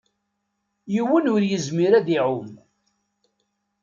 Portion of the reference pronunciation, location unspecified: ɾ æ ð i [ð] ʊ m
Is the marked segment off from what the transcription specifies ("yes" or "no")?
yes